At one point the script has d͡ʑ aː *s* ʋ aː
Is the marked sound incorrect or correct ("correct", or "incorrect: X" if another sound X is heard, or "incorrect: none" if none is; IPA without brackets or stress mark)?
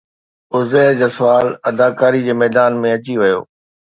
correct